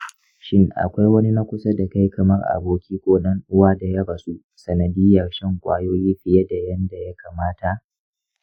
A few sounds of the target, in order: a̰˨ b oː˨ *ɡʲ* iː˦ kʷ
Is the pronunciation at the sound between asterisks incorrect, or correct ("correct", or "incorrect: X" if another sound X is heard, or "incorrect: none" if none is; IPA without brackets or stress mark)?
incorrect: kʲ